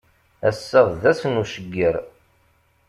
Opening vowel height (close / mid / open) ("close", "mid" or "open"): open